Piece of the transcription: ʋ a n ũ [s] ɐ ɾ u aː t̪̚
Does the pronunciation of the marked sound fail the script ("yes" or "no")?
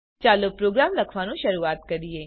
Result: yes